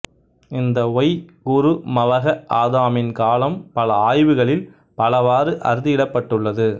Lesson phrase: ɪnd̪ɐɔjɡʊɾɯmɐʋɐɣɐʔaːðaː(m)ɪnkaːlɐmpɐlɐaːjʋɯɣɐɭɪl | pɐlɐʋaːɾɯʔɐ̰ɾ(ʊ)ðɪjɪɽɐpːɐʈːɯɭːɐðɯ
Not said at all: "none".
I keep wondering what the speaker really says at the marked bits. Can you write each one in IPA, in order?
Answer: m, ɯ

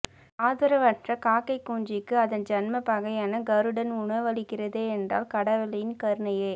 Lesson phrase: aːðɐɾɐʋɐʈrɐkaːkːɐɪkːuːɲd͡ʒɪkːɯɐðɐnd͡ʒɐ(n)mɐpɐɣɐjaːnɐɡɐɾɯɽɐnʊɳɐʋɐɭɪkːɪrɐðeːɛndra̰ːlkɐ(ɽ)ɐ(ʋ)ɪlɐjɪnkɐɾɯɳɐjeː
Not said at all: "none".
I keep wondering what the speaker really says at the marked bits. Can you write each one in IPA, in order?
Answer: n, ɽ, ʋ

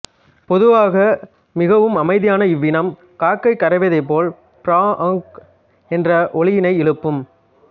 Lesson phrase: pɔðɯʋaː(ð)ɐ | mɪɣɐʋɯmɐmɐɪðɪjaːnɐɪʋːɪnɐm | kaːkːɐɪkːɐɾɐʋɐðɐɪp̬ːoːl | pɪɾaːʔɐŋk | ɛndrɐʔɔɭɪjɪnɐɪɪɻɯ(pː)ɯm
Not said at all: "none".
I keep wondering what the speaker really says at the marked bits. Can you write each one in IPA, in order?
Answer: ɣ, pː

